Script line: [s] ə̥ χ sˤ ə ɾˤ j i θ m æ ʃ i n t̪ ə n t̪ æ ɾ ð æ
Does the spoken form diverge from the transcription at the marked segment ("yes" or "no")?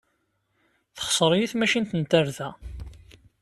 yes